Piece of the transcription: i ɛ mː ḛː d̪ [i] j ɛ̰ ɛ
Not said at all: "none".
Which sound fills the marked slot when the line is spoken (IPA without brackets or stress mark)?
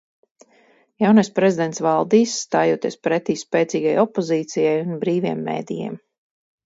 i